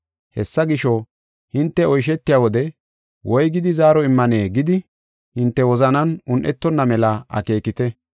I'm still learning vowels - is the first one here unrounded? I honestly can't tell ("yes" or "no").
yes